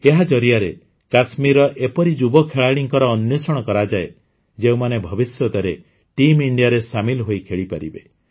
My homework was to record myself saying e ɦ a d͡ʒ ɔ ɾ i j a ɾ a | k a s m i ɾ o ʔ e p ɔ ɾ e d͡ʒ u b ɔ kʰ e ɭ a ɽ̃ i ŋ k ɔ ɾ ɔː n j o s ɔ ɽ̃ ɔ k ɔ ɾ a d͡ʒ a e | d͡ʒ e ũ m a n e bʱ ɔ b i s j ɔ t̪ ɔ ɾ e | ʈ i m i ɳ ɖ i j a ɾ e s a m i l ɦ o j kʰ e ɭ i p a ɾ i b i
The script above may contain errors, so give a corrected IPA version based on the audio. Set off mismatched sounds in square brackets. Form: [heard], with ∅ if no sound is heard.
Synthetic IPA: e ɦ a d͡ʒ ɔ ɾ i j a ɾ [e] | k a s m i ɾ [ɔ] ʔ e p ɔ ɾ [i] d͡ʒ u b ɔ kʰ e ɭ a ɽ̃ i ŋ k ɔ ɾ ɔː n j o s ɔ ɽ̃ ɔ k ɔ ɾ a d͡ʒ a e | d͡ʒ e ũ m a n e bʱ ɔ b i s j ɔ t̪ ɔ ɾ e | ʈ i m i ɳ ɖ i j a ɾ e s a m i l ɦ o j kʰ e ɭ i p a ɾ i b [e]

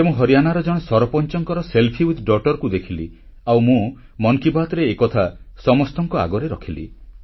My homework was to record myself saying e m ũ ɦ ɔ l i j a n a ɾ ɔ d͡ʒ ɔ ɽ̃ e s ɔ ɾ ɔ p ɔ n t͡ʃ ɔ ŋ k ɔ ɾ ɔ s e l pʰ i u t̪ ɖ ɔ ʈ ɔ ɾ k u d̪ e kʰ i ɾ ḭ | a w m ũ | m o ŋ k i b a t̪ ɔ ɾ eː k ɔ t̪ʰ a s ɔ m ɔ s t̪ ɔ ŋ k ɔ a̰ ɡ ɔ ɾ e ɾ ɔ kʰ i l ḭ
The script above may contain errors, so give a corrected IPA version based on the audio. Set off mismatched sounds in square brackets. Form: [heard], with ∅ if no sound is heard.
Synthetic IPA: e m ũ ɦ ɔ [ɾ] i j a n a ɾ ɔ d͡ʒ ɔ ɽ̃ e s ɔ ɾ ɔ p ɔ n t͡ʃ ɔ ŋ k ɔ ɾ ɔ s e l pʰ i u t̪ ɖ ɔ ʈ ɔ ɾ k u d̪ e kʰ i [l] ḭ | a w m ũ | m [ɔ] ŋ k i b a t̪ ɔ ɾ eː k ɔ t̪ʰ a s ɔ m ɔ s t̪ ɔ ŋ k ɔ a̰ ɡ ɔ ɾ e ɾ ɔ kʰ i l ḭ

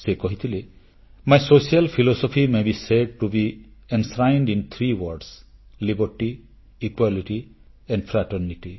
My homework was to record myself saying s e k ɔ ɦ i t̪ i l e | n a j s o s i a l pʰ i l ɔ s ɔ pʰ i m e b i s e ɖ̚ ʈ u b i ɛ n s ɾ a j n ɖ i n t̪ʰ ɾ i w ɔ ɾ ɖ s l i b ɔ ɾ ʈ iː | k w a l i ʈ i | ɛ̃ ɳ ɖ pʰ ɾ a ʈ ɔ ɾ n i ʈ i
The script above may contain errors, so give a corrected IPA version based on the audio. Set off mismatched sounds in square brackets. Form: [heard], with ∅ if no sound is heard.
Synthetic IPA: s e k ɔ ɦ i [t̪ʰ] i l e | [m] a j s o s i a l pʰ i l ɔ s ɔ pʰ i m e b i s e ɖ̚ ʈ u b i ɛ n s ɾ a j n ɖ i n t̪ʰ ɾ i w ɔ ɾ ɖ s l i b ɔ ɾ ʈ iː | k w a l i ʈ i | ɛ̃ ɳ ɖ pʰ ɾ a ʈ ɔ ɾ n i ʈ i

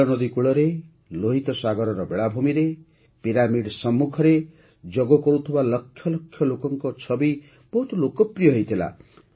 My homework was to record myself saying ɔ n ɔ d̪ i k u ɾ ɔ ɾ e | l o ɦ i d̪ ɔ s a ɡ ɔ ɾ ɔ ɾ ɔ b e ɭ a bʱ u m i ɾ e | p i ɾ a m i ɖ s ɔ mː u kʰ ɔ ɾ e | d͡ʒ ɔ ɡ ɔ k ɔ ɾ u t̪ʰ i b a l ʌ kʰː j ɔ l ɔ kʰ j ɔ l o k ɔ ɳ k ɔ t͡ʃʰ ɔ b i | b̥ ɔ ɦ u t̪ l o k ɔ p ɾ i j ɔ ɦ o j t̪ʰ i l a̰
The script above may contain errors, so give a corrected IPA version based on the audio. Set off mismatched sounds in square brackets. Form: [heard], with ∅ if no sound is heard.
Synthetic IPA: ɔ n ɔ d̪ i k u [ɭ] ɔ ɾ e | l o ɦ i [t̪] ɔ s a ɡ ɔ ɾ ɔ ɾ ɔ b e ɭ a bʱ u m i ɾ e | p i ɾ a m i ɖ s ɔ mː u kʰ ɔ ɾ e | d͡ʒ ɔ ɡ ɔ k ɔ ɾ u t̪ʰ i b a l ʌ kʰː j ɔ l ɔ kʰ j ɔ l o k ɔ [ŋ] k ɔ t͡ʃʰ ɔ b i | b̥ ɔ ɦ u t̪ l o k ɔ p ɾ i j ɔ ɦ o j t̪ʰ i l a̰

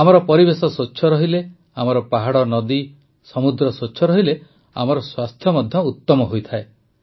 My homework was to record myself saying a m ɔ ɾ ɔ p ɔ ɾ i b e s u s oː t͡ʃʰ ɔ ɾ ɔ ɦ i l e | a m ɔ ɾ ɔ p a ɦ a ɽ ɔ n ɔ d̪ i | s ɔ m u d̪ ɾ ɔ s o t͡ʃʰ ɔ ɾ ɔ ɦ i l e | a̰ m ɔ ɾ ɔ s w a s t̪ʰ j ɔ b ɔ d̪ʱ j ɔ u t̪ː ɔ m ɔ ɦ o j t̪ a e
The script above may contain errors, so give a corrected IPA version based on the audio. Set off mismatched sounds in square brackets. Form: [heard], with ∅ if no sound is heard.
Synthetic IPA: a m ɔ ɾ ɔ p ɔ ɾ i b e s [ɔ] s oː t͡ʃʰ ɔ ɾ ɔ ɦ i l e | a m ɔ ɾ ɔ p a ɦ a ɽ ɔ n ɔ d̪ i | s ɔ m u d̪ ɾ ɔ s o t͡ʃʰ ɔ ɾ ɔ ɦ i l e | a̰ m ɔ ɾ ɔ s w a s t̪ʰ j ɔ [m] ɔ d̪ʱ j ɔ u t̪ː ɔ m ɔ ɦ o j [t̪ʰ] a e

